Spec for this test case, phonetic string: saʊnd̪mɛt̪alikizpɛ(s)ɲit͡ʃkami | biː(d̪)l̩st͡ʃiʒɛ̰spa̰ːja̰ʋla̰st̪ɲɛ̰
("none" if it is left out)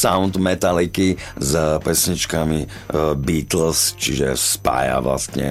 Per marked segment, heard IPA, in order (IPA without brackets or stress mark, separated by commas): s, t̪